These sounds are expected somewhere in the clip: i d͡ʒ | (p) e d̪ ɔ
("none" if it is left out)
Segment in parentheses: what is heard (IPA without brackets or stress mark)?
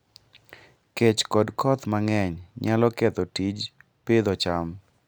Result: p